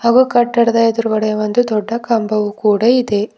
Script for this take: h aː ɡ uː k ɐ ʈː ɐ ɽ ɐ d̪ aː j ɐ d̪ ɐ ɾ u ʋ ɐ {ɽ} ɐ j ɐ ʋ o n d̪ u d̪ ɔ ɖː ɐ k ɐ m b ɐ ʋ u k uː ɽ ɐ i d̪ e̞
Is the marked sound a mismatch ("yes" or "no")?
no